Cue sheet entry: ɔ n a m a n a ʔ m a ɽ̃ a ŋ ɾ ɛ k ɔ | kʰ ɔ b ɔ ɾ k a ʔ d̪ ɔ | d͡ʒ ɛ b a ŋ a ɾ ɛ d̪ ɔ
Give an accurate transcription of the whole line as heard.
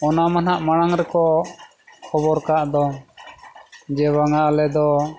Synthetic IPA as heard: ɔ n a m a n a ʔ m a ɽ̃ a ŋ ɾ ɛ k ɔ | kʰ ɔ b ɔ ɾ k a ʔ d̪ ɔ | d͡ʒ ɛ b a ŋ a l ɛ d̪ ɔ